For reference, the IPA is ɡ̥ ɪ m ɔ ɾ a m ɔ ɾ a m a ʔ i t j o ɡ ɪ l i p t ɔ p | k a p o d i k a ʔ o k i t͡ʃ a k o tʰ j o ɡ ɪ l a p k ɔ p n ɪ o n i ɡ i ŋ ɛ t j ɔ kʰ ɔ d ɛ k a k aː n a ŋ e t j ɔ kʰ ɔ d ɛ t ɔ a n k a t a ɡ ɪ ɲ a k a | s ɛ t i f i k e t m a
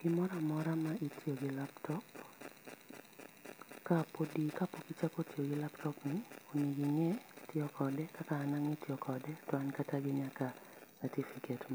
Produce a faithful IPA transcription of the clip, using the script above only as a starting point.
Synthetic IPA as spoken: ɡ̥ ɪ m ɔ ɾ a m ɔ ɾ a m a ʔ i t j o ɡ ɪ l a p t ɔ p | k a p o d i k a p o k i t͡ʃ a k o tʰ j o ɡ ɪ l a p t ɔ p n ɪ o n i ɡ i ŋ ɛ t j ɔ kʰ ɔ d ɛ k a k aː n a ŋ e t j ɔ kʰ ɔ d ɛ t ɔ a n k a t a ɡ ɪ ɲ a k a | s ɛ t i f i k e t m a